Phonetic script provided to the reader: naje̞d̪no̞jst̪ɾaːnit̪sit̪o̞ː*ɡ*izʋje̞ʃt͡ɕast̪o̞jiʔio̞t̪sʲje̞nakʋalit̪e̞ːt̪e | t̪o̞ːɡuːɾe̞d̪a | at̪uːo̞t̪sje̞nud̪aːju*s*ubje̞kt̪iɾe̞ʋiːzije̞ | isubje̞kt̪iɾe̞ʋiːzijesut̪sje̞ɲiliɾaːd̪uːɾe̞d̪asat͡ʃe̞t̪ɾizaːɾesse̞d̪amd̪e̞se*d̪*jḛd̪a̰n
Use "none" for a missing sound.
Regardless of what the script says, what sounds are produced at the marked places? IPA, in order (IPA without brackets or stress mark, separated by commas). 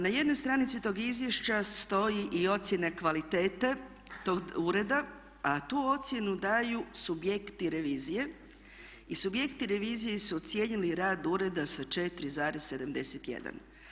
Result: ɡ, s, t̪